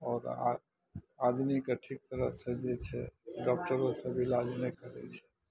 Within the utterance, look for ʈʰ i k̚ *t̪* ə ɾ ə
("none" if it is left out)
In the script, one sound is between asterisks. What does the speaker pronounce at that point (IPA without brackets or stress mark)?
t̪